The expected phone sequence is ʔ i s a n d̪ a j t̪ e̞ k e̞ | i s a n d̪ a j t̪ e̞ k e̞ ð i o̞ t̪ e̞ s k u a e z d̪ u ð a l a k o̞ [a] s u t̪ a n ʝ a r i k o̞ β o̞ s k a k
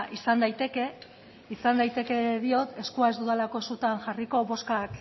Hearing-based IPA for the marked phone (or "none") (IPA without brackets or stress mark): e